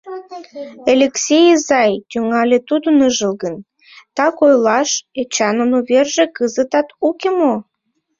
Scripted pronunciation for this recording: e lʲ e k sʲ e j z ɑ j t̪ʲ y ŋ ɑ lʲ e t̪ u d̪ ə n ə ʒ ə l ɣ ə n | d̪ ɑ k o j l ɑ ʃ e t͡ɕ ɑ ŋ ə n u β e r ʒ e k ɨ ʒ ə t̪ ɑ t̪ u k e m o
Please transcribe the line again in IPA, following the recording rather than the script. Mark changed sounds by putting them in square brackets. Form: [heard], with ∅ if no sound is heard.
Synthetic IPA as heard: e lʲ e k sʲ e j z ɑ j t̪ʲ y ŋ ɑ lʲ e t̪ u d̪ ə n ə ʒ ə l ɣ ə n | [t̪] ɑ k o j l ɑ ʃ e t͡ɕ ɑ [n] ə n u β e r ʒ e k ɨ [z] ə t̪ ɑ t̪ u k e m o

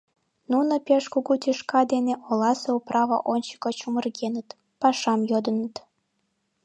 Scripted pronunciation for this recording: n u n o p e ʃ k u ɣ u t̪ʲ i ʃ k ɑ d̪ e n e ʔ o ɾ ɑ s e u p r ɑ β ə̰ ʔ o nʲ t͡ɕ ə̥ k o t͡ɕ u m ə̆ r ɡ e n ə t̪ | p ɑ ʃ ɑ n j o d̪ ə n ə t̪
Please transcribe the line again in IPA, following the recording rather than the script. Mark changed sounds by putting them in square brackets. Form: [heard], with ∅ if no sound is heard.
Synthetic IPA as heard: n u n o p e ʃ k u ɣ u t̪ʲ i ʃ k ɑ d̪ e n e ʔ o [l] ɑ s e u p r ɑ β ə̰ ʔ o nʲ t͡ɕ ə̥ k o t͡ɕ u m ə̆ r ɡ e n ə t̪ | p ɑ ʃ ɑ [m] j o d̪ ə n ə t̪

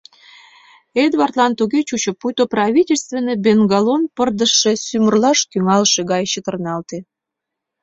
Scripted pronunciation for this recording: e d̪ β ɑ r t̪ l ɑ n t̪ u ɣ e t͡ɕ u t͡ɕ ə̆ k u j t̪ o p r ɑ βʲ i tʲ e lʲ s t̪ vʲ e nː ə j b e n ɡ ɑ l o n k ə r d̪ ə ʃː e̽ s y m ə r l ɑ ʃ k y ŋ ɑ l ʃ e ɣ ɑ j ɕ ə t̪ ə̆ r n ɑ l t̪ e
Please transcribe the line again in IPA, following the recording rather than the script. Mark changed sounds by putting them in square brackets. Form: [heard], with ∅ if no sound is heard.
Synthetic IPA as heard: e d̪ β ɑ r t̪ l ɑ n t̪ u ɣ e t͡ɕ u t͡ɕ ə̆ [p] u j t̪ o p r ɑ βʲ i tʲ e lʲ s t̪ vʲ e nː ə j b e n ɡ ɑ l o n [p] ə r d̪ ə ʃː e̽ s y m ə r l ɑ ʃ k y ŋ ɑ l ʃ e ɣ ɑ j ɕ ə t̪ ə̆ r n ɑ l t̪ e

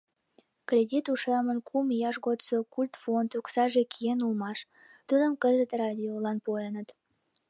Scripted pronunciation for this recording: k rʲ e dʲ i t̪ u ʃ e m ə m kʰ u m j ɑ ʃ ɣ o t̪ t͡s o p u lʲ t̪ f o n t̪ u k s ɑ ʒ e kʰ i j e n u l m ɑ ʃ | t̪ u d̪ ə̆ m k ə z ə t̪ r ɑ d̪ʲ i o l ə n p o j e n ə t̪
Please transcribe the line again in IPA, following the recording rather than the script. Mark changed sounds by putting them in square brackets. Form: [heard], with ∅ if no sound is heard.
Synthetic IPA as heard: k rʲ e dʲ i t̪ u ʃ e m ə [n] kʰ u m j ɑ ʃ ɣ o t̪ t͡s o [k] u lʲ t̪ f o n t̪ u k s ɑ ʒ e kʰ i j e n u l m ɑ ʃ | t̪ u d̪ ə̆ m k ə z ə t̪ r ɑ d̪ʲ i o l [ɑ] n p o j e n ə t̪

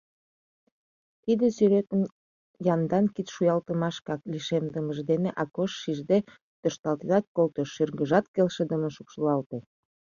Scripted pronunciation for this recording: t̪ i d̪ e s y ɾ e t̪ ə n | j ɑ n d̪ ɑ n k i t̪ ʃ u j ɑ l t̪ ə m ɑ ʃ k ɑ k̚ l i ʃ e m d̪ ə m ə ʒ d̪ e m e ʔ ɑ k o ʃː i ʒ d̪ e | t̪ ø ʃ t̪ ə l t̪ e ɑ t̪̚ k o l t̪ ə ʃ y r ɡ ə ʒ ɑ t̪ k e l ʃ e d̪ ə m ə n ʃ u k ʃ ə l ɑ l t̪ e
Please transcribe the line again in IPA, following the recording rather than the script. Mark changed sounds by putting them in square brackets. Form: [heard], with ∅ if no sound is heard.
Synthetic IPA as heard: t̪ i d̪ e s y ɾ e t̪ ə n | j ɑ n d̪ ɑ n k i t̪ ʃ u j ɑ l t̪ ə m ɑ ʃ k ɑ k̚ l i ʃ e m d̪ ə m ə ʒ d̪ e [n] e ʔ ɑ k o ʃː i ʒ d̪ e | t̪ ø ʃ t̪ [ɑ] l t̪ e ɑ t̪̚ k o l t̪ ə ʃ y r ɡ ə ʒ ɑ t̪ k e l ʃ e d̪ ə m ə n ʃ u k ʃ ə l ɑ l t̪ e

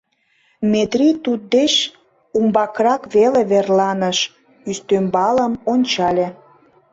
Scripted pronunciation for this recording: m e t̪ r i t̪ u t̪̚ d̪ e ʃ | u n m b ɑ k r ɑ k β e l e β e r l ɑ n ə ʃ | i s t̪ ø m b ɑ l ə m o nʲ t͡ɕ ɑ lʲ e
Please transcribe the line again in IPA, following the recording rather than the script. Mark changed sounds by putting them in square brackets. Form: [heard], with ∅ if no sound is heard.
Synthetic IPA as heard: m e t̪ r i t̪ u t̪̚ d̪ e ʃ | u [∅] m b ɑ k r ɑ k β e l e β e r l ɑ n ə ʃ | [y] s t̪ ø m b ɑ l ə m o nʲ t͡ɕ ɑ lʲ e

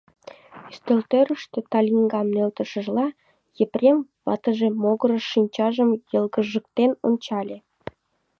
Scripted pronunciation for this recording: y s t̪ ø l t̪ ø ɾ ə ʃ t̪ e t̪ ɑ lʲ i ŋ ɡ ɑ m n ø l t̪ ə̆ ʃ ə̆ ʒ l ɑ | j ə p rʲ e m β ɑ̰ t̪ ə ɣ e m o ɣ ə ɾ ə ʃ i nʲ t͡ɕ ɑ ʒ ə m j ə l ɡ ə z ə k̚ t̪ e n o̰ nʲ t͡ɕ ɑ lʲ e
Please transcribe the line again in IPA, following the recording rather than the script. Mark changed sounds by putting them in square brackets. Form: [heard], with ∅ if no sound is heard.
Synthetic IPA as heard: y s t̪ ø l t̪ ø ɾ ə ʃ t̪ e t̪ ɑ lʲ i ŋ ɡ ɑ m n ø l t̪ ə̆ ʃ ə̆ ʒ l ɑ | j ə p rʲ e m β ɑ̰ t̪ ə [ʒ] e m o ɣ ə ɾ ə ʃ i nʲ t͡ɕ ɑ ʒ ə m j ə l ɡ ə [ʒ] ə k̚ t̪ e n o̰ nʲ t͡ɕ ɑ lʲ e

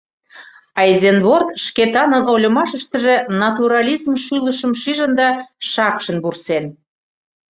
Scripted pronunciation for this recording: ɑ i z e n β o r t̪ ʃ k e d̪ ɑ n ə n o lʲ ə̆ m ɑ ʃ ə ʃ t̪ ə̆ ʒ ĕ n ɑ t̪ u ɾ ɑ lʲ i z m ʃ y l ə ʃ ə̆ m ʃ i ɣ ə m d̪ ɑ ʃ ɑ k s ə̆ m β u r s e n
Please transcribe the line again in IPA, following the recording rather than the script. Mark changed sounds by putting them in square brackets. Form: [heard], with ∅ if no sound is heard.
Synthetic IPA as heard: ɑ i z e n β o r t̪ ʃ k e [t̪] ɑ n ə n o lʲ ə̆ m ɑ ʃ ə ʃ t̪ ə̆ ʒ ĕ n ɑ t̪ u ɾ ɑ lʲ i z m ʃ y l ə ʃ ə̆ m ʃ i [ʒ] ə [n] d̪ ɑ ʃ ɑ k [ʃ] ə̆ [n] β u r s e n

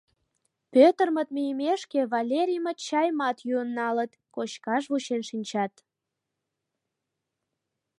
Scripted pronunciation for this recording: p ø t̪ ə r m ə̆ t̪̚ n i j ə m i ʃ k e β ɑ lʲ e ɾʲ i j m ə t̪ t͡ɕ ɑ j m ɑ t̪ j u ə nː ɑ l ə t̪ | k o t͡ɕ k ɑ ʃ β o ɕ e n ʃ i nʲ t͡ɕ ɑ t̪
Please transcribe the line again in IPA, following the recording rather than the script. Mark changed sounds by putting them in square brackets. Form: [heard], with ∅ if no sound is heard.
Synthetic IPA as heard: p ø t̪ ə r m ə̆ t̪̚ [m] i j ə m [e] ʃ k e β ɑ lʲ e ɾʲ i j m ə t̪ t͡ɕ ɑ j m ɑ t̪ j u ə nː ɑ l ə t̪ | k o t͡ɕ k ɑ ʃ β [u] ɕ e n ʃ i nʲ t͡ɕ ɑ t̪

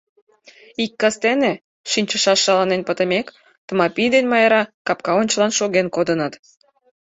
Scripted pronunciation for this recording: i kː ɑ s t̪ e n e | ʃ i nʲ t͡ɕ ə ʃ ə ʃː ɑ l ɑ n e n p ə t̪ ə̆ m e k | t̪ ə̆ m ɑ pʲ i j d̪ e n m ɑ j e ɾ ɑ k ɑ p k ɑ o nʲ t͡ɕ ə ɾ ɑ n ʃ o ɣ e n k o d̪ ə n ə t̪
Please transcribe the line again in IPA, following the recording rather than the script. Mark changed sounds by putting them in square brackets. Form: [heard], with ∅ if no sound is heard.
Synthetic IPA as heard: i kː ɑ s t̪ e n e | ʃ i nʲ t͡ɕ ə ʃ [ɑ] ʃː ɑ l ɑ n e n p ə t̪ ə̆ m e k | t̪ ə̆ m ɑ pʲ i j d̪ e n m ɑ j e ɾ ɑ k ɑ p k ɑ o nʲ t͡ɕ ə [l] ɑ n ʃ o ɣ e n k o d̪ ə n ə t̪

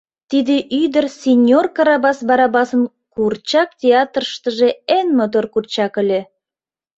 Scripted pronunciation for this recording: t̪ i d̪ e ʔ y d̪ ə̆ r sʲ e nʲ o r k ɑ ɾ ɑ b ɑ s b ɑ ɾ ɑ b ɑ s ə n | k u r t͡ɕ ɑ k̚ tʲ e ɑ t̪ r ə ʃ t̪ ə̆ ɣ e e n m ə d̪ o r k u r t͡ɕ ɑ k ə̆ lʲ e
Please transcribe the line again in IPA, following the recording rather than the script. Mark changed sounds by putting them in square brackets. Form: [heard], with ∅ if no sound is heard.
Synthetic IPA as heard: t̪ i d̪ e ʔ y d̪ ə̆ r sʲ e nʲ o r k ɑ ɾ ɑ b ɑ s b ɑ ɾ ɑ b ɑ s ə n | k u r t͡ɕ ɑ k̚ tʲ e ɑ t̪ r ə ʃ t̪ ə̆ [ʒ] e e n m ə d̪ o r k u r t͡ɕ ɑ k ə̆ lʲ e

